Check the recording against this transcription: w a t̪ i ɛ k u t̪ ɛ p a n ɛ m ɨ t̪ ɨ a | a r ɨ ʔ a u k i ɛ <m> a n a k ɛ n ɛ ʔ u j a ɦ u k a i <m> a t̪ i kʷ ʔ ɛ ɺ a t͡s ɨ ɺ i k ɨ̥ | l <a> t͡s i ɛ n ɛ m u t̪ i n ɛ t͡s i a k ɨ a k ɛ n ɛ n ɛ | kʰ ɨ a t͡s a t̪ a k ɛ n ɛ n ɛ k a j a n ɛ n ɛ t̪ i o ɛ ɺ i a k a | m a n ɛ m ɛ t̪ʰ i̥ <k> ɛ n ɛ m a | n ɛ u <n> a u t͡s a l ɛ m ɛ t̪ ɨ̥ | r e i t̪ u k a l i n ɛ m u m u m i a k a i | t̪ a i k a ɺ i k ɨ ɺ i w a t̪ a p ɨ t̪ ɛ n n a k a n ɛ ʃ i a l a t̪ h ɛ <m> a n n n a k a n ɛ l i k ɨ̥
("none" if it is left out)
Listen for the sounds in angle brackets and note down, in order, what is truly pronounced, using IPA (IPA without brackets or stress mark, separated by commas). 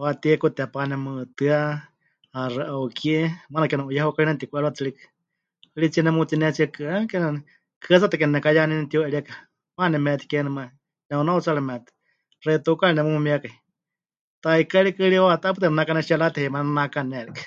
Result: m, n, i, k, n, m